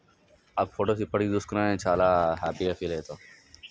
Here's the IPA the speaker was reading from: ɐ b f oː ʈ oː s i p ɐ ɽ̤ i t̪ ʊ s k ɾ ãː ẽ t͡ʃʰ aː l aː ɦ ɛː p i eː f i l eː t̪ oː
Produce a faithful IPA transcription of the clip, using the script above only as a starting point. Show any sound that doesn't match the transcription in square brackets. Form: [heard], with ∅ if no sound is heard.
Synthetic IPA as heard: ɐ b f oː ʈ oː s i p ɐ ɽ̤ i [d̪] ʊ s k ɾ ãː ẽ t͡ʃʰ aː l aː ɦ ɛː p i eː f i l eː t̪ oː